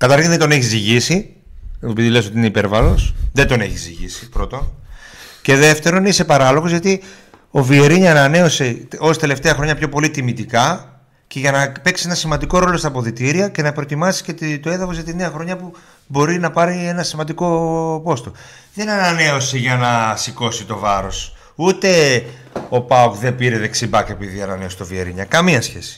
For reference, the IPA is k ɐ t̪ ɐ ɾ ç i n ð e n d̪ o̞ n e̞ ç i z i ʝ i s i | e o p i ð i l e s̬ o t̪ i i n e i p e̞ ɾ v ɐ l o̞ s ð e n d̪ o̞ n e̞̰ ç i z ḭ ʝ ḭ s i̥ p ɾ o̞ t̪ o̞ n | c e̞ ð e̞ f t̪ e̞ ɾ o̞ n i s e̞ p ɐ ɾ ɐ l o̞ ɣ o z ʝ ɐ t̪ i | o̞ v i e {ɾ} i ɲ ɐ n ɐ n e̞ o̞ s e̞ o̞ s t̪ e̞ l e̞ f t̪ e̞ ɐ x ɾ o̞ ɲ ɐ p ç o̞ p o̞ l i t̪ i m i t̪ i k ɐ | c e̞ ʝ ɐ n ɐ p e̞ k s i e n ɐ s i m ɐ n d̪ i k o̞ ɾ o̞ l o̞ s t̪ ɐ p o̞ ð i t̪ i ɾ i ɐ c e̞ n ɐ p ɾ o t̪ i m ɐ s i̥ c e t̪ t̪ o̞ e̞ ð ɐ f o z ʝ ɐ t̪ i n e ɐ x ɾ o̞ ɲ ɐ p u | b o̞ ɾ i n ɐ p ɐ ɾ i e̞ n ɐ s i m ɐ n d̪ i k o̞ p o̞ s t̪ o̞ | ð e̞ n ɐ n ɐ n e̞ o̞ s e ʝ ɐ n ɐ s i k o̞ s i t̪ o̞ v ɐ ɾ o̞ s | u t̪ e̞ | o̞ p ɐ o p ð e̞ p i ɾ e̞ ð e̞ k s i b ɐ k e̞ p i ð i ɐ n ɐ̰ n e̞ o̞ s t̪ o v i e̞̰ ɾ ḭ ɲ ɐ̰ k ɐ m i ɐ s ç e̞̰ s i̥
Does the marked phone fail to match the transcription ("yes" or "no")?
no